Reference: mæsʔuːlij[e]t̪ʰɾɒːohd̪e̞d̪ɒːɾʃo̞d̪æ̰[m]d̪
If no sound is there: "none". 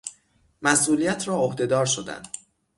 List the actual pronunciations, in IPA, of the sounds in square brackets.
æ, n

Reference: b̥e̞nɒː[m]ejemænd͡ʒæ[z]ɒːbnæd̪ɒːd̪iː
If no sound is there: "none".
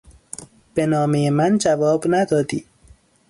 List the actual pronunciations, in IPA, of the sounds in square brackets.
m, v

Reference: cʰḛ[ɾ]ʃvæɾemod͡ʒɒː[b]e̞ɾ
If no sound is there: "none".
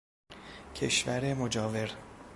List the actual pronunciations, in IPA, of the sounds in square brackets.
none, v

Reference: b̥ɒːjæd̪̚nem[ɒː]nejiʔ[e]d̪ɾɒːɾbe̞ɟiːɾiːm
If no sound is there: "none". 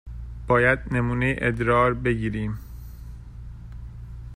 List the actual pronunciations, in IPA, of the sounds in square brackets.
uː, e

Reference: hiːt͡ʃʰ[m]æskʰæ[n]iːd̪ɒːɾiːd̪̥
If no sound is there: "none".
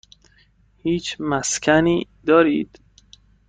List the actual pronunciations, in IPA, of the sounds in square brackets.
m, n

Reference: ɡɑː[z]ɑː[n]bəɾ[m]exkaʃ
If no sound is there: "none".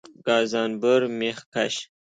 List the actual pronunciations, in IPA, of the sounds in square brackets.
z, n, m

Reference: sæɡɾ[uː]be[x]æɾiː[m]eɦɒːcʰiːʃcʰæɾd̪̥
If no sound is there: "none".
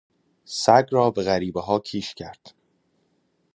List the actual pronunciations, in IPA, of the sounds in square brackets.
ɒː, ɣ, b

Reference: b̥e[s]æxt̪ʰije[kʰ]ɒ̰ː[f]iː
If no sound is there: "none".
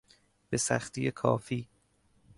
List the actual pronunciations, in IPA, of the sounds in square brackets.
s, kʰ, f

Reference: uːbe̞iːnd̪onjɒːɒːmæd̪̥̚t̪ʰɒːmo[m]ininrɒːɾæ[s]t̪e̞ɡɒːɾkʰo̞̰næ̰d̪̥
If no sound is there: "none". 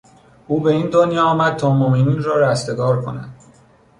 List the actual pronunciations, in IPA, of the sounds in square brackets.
m, s

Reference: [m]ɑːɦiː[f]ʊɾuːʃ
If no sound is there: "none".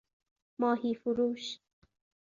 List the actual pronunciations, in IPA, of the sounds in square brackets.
m, f

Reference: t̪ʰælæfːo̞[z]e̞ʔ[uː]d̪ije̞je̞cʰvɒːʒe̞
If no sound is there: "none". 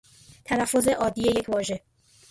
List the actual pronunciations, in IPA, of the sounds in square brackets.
z, ɒː

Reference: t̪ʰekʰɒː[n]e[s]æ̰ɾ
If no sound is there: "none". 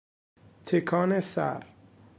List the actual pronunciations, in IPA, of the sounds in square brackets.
n, s

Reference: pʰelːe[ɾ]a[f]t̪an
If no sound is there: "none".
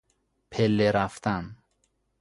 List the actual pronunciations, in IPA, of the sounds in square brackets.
ɾ, f

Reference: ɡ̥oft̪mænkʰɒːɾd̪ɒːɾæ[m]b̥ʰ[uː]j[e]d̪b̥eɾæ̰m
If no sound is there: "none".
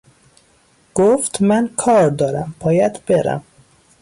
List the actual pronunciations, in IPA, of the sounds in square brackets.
m, ɒː, æ

